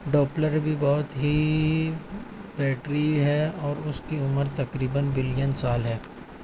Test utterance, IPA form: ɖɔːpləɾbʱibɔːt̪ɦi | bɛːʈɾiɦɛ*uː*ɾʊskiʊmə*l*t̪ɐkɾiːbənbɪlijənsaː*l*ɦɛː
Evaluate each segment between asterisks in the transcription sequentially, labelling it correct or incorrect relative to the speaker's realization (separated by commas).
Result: incorrect, incorrect, correct